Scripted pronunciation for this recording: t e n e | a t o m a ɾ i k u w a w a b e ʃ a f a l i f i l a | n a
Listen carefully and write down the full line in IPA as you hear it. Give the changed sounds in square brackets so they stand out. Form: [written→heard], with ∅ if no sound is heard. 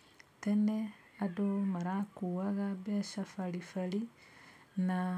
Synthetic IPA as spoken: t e n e | a [t→d] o m a ɾ [i→a] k u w a [w→ɣ] a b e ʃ a f a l i f [i→a] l [a→i] | n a